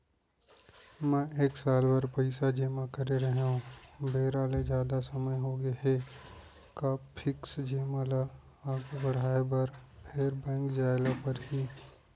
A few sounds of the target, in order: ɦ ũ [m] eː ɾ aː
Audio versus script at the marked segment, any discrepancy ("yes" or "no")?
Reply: yes